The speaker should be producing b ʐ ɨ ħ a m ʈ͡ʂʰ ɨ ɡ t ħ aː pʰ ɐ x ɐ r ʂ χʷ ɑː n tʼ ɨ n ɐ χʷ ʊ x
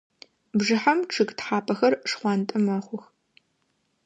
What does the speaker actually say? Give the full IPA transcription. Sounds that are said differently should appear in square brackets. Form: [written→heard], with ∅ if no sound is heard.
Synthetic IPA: b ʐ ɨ ħ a m ʈ͡ʂʰ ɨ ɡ t ħ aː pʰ ɐ x ɐ r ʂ χʷ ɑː n tʼ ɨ [n→m] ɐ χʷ ʊ x